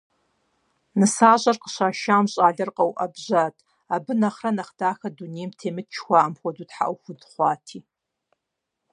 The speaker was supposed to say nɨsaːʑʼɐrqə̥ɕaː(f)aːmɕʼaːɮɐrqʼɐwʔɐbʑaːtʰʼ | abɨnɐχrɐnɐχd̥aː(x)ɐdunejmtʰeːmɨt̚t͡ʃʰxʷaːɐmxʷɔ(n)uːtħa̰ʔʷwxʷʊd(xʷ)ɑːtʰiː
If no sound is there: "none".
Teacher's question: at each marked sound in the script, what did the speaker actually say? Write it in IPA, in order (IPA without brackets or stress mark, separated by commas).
ʃ, x, d, χʷ